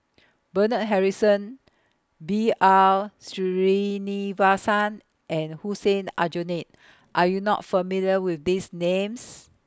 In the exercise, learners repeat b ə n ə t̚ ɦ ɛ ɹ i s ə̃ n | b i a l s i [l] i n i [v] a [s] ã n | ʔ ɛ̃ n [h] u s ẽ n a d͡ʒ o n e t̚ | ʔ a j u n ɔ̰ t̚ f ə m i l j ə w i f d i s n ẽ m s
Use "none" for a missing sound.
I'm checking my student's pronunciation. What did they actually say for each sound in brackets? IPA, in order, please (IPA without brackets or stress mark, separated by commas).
ɹ, v, s, h